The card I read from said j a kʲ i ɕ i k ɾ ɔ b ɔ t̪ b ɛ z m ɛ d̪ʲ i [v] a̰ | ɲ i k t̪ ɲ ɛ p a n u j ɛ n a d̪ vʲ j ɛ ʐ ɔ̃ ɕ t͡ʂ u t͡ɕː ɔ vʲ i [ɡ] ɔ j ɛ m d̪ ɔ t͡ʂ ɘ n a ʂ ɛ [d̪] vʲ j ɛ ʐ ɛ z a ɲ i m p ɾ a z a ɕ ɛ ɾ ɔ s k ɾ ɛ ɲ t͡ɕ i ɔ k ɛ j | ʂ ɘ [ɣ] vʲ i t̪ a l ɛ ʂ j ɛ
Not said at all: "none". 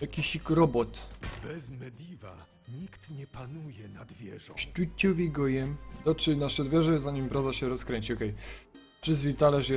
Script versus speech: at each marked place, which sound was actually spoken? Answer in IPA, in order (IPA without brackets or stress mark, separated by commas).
v, ɡ, d̪, z